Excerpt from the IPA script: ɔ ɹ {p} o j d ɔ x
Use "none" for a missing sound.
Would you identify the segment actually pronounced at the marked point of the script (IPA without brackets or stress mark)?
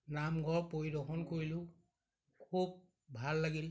p